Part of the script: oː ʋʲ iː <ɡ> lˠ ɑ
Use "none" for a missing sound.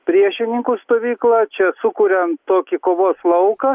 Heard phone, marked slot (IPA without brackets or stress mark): k